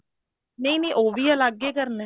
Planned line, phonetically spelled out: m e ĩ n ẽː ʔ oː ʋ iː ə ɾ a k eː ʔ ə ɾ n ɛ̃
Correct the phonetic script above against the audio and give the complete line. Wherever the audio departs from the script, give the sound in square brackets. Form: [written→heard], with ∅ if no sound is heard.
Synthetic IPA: [m→n] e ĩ n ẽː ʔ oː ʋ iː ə [ɾ→l] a [k→ɡ] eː [ʔ→k] ə ɾ n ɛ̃